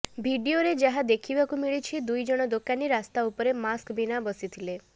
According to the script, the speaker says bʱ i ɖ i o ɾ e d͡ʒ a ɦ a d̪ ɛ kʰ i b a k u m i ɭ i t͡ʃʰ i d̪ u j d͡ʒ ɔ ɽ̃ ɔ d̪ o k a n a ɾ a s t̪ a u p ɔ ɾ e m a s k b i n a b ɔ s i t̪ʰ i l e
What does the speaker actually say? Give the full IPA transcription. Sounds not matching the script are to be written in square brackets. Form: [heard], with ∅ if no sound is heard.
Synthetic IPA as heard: bʱ i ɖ i o ɾ e d͡ʒ a ɦ a d̪ [e] kʰ i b a k u m i ɭ i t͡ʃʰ i d̪ u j d͡ʒ ɔ ɽ̃ ɔ d̪ o k a n [i] ɾ a s t̪ a u p ɔ ɾ e m a s k b i n a b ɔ s i t̪ʰ i l e